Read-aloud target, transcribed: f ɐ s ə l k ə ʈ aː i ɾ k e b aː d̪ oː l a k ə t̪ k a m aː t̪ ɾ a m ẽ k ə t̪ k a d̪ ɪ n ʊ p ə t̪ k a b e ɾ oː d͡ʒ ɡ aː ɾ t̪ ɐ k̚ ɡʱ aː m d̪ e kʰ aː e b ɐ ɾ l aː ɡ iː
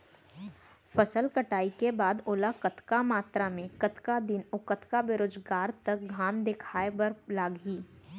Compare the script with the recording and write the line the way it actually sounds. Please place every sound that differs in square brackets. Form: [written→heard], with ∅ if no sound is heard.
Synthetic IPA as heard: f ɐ s ə l k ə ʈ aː i [ɾ→∅] k e b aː d̪ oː l a k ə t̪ k a m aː t̪ ɾ a m ẽ k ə t̪ k a d̪ ɪ n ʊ [p→k] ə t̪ k a b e ɾ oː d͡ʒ ɡ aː ɾ t̪ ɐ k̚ ɡʱ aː m d̪ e kʰ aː e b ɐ ɾ l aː ɡ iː